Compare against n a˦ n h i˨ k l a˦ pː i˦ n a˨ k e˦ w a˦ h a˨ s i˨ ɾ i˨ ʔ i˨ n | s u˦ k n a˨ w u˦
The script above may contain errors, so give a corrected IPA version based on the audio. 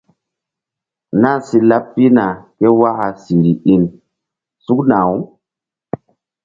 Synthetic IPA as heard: n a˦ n s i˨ l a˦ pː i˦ n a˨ k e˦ w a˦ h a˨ s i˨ ɾ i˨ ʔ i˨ n | s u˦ k n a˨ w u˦